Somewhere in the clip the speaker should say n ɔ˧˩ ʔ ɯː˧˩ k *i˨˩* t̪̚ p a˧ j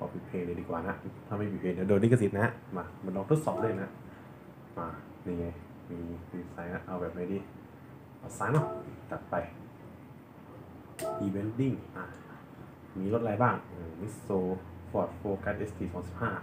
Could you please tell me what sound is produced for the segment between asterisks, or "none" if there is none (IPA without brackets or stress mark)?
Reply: a˨˩